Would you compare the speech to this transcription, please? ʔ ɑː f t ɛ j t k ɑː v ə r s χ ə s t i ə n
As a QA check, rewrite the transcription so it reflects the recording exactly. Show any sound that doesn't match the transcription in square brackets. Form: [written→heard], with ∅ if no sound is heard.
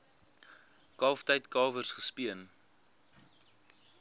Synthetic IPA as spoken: [ʔ→k] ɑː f t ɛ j t k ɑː v ə r s χ ə s [t→p] i ə n